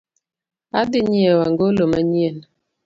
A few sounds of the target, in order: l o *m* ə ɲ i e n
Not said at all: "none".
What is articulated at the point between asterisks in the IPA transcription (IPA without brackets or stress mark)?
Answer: m